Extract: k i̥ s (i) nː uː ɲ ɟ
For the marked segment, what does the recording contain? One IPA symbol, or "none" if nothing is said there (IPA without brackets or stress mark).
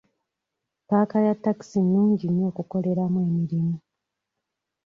i